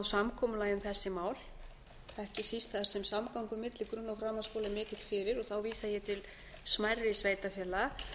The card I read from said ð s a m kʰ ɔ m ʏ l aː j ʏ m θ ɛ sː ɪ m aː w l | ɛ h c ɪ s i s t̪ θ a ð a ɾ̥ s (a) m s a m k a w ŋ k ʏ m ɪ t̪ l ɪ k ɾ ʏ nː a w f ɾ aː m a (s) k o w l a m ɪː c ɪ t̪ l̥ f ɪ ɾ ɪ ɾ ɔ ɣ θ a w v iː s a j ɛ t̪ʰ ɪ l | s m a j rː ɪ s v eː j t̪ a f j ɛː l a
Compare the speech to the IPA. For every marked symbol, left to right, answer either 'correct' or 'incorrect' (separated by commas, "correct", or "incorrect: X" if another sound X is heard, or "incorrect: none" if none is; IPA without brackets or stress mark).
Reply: incorrect: ɛ, correct